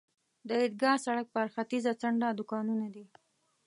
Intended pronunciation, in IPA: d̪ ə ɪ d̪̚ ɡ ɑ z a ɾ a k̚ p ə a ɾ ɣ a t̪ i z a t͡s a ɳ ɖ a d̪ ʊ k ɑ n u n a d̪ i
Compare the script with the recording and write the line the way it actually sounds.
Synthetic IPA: d̪ ə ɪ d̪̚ ɡ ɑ s a ɽ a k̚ p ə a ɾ x a t̪ i z a t͡s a ɳ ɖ a d̪ ʊ k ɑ n u n a d̪ i